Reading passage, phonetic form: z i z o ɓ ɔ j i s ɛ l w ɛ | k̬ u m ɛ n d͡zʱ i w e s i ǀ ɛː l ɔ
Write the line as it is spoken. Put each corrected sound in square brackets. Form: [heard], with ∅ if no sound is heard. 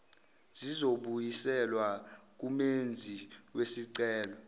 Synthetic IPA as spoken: z i z o ɓ [u] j i s ɛ l w [a] | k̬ u m [e] n d͡zʱ i w e s i ǀ ɛː l ɔ

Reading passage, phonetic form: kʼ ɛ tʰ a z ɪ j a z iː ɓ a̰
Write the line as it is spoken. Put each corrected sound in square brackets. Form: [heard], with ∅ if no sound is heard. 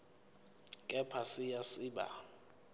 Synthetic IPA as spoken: kʼ ɛ [pʰ] a [s] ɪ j a [s] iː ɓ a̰

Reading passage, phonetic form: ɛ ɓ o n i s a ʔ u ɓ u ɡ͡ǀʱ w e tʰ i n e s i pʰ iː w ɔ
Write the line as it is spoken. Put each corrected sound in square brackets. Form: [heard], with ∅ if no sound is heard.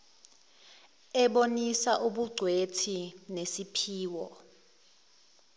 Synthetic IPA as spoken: ɛ ɓ o n i s a ʔ u ɓ u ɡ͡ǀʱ w e tʰ i n e s i pʰ iː w ɔ

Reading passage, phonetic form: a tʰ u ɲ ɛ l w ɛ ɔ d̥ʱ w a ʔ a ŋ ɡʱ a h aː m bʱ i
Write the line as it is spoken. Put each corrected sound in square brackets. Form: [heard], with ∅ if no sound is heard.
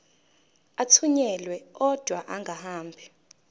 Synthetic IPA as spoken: a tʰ u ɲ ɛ l w ɛ ɔ d̥ʱ w a ʔ a ŋ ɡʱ a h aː m bʱ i

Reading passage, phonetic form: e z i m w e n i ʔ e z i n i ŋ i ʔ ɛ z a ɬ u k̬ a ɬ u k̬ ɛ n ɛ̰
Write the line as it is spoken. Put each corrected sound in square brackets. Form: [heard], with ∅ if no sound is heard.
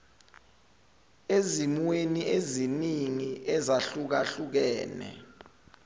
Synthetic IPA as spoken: e z i m w e n i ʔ e z i n i ŋ i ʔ ɛ z a ɬ u k̬ a ɬ u k̬ [ɛː] n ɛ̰

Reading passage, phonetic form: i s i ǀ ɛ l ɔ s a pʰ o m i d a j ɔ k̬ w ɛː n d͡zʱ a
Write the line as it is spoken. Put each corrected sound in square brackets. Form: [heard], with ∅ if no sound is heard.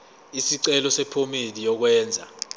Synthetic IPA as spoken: i s i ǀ ɛ l ɔ s [ɛ] pʰ o m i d [i] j ɔ k̬ w ɛː n d͡zʱ a

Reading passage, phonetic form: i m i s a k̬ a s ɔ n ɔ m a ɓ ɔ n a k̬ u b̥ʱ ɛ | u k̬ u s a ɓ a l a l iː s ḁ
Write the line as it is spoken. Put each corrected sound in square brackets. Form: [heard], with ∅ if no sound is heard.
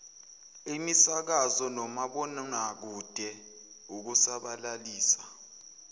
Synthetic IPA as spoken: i m i s a k̬ a [z] ɔ n ɔ m a ɓ ɔ n a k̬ u [d̥ʱ] ɛ | u k̬ u s a ɓ a l a l iː s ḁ

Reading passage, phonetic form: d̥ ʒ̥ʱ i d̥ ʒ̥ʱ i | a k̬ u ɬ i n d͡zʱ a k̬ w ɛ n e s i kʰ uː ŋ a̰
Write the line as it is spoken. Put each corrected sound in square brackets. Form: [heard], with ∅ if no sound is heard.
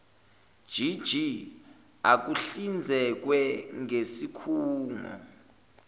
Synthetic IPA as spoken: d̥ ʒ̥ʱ i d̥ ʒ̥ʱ i | a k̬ u ɬ i n d͡zʱ [ɛ] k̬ w ɛ [ŋ] e s i kʰ uː ŋ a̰

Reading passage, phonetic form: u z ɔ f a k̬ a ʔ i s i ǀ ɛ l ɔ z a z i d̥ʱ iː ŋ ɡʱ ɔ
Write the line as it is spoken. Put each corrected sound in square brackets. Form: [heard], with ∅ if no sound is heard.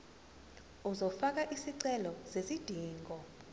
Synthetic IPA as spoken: u z ɔ f a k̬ a ʔ i s i ǀ ɛ l ɔ z [e] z i d̥ʱ iː ŋ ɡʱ ɔ

